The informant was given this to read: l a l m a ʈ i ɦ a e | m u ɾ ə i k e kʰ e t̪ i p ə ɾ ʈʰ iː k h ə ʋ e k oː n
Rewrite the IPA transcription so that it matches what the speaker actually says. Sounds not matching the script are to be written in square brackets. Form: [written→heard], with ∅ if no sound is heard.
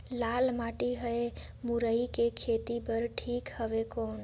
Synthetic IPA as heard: l a l m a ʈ i ɦ [a→ə] e | m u ɾ ə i k e kʰ e t̪ i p ə ɾ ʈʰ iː k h ə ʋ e k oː n